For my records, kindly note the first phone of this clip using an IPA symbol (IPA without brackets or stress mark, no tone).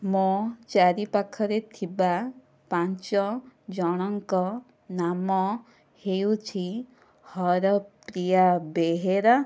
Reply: m